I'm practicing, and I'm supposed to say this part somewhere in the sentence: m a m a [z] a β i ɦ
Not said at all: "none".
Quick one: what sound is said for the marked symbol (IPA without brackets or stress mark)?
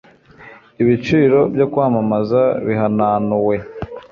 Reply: z